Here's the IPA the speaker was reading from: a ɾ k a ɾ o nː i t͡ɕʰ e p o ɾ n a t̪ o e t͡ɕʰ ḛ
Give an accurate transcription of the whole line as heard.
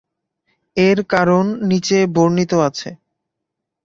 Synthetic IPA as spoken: e ɾ k a ɾ o nː i t͡ɕ e b o ɾ n i t̪ o a t͡ɕʰ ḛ